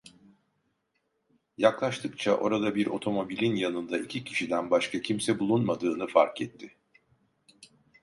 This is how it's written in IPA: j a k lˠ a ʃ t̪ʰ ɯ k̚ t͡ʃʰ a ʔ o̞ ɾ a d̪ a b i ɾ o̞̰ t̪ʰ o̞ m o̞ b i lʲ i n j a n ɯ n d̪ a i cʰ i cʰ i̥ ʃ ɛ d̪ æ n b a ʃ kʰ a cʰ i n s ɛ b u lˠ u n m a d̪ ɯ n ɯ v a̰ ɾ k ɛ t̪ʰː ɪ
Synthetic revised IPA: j a k lˠ a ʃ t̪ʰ ɯ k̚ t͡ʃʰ a ʔ o̞ ɾ a d̪ a b i ɾ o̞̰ t̪ʰ o̞ m o̞ b i lʲ i n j a n ɯ n d̪ a i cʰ i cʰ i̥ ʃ i d̪ æ n b a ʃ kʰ a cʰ i m s ɛ b u lˠ u n m a d̪ ɯː n ɯ f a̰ ɾ k ɛ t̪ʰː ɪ

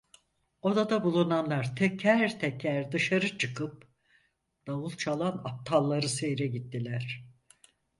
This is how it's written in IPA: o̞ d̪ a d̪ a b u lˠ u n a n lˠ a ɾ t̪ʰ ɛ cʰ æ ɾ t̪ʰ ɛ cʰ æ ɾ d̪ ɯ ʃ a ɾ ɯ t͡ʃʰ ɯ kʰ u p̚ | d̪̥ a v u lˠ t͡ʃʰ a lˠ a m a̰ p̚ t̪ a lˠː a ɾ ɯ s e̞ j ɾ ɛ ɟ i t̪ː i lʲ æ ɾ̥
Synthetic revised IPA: o̞ d̪ a d̪ a b u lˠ u n a n lˠ a ɾ t̪ʰ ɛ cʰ æ ɾ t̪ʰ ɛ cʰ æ ɾ d̪ ɯ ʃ a ɾ ɯ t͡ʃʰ ɯ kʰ ɯ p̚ | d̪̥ a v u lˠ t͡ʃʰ a lˠ a n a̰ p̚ t̪ʰ a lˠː a ɾ ɯ s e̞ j ɾ ɛ ɟ i t̪ː i lʲ æ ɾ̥

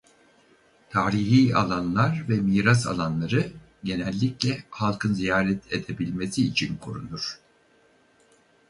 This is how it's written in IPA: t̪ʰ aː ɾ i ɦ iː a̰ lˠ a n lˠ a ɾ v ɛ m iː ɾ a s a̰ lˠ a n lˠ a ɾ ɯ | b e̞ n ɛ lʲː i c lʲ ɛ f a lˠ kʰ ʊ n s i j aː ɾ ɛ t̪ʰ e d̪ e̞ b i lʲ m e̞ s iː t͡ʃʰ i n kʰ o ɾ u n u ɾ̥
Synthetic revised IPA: t̪ʰ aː ɾ i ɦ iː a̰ lˠ a n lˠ a ɾ v ɛ m iː ɾ a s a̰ lˠ a n lˠ a ɾ ɯ | ɟ e̞ n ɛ lʲː i c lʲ ɛ h a lˠ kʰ ɯ n z i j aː ɾ ɛ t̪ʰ e d̪ e̞ b i lʲ m e̞ s iː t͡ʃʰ i n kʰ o ɾ u n u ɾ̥

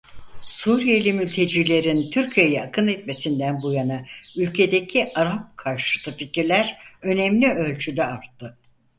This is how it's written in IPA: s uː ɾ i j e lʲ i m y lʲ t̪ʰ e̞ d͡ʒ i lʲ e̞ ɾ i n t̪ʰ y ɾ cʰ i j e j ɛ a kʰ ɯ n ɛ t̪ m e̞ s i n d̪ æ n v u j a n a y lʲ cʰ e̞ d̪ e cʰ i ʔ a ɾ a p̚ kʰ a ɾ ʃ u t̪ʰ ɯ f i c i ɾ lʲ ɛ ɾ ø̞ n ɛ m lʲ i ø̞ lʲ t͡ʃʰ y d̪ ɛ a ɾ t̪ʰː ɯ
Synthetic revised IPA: s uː ɾ i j e lʲ i m y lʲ t̪ʰ e̞ d͡ʒ i lʲ e̞ ɾ i n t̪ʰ y ɾ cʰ i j e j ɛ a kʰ ɯ n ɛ t̪ m e̞ s i n d̪ æ n b u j a n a y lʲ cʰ e̞ d̪ e cʰ i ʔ a ɾ a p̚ kʰ a ɾ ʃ ɯ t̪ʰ ɯ f i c i ɾ lʲ æ ɾ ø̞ n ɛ m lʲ i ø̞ lʲ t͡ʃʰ y d̪ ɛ a ɾ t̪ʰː ɯ

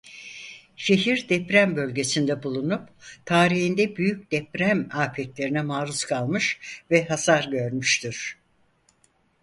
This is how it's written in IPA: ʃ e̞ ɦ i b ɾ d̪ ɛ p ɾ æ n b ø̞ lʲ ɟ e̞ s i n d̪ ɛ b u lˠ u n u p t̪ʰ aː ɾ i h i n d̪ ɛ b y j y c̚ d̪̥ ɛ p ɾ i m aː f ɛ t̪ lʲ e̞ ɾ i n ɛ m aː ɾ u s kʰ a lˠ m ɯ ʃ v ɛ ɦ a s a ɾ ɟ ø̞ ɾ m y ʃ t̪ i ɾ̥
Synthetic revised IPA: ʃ e̞ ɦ i ɾ d̪ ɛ p ɾ æ m b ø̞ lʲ ɟ e̞ s i n d̪ ɛ b u lˠ u n u p t̪ʰ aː ɾ i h i n d̪ ɛ b y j y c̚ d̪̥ ɛ p ɾ æ m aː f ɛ t̪ lʲ e̞ ɾ i n ɛ m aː ɾ u s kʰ a lˠ m ɯ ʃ v ɛ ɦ a s a ɾ ɟ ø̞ ɾ m y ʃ t̪ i ɾ̥

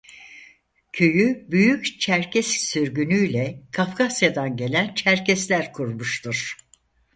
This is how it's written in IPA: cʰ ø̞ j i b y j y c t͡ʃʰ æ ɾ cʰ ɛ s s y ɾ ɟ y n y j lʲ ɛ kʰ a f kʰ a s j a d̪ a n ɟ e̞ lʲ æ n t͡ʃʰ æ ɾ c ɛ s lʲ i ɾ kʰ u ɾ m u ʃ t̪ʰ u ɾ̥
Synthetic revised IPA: cʰ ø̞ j y b y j y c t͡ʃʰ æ ɾ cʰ ɛ s s y ɾ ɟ y n y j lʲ ɛ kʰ a f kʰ a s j a d̪ a n ɟ e̞ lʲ æ n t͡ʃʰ æ ɾ c ɛ s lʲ æ ɾ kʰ u ɾ m u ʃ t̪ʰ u ɾ̥

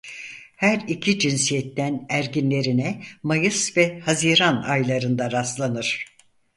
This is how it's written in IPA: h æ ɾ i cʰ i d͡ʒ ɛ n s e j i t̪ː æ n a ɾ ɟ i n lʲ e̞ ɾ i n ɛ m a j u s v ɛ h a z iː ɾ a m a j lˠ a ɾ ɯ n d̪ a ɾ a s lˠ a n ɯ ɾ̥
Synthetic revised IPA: h æ ɾ i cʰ i d͡ʒ i n s i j ɛ t̪ː æ n æ ɾ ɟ i n lʲ e̞ ɾ i n ɛ m a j ɯ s v ɛ h a z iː ɾ a n a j lˠ a ɾ ɯ n d̪ a ɾ a s lˠ a n ɯ ɾ̥

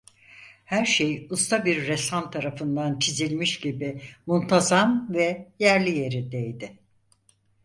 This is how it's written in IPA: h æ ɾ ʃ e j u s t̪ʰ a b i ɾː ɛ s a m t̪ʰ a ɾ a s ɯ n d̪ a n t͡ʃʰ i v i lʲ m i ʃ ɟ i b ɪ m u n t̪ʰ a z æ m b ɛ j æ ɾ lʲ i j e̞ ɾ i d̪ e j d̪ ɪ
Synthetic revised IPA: h æ ɾ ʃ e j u s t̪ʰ a b i ɾː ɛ s a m t̪ʰ a ɾ a f ɯ n d̪ a n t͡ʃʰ i z i lʲ m i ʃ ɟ i b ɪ m u n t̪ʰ a z a m v ɛ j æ ɾ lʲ i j e̞ ɾ i d̪ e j d̪ ɪ

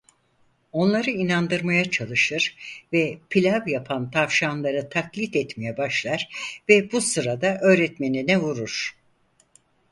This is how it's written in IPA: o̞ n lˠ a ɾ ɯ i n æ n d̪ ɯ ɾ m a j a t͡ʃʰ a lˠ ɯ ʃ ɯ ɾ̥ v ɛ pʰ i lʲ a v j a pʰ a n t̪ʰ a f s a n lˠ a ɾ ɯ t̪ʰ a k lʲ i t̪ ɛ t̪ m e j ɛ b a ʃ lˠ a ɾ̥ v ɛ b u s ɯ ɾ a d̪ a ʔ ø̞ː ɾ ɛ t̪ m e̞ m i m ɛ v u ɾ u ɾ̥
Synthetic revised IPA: o̞ n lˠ a ɾ ɯ i n a n d̪ ɯ ɾ m a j a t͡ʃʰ a lˠ ɯ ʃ ɯ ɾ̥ v ɛ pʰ i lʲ a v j a pʰ a n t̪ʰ a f ʃ a n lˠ a ɾ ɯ t̪ʰ a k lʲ i t̪ ɛ t̪ m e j ɛ b a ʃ lˠ a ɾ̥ v ɛ b u s ɯ ɾ a d̪ a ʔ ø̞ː ɾ ɛ t̪ m e̞ n i n ɛ v u ɾ u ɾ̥

